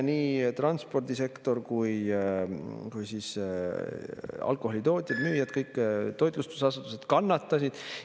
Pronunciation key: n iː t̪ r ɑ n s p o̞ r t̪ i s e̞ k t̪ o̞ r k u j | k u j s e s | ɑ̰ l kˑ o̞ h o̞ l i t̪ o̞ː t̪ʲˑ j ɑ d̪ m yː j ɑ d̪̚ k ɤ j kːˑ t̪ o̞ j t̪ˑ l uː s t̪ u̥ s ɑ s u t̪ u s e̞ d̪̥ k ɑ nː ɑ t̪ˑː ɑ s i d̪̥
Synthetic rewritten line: n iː t̪ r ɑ n s p o̞ r d̪ i s e̞ k t̪ o̞ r k u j | k u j s i s | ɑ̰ l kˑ o̞ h o̞ l i t̪ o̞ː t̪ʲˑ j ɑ d̪ m yː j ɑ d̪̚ k ɤ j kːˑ t̪ o̞ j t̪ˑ l u s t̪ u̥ s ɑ s u t̪ u s e̞ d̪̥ k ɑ nː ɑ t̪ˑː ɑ s i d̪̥

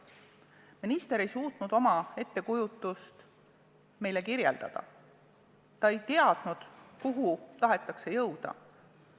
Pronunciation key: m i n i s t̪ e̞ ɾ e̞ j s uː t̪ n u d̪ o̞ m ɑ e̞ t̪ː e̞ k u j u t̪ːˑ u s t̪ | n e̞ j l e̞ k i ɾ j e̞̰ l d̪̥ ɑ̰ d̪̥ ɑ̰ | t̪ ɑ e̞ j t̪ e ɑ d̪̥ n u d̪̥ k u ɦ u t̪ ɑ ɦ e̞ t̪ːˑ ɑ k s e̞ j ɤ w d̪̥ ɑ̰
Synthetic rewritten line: m i n i s t̪ e̞ ɾ e̞ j s uː t̪ n u d̪ o̞ m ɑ e̞ t̪ː e̞ k u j u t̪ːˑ u s t̪ | m e̞ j l e̞ k i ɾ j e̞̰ l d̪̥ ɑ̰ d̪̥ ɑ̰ | t̪ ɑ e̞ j t̪ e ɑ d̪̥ n u d̪̥ k u ɦ u t̪ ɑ ɦ e̞ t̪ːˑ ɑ k s e̞ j ɤ w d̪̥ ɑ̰

